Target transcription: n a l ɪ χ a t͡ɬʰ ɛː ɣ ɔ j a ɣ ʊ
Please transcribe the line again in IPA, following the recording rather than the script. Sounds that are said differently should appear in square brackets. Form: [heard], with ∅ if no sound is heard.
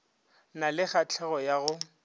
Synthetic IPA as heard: n a l ɪ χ a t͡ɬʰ [ɛ] ɣ ɔ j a ɣ ʊ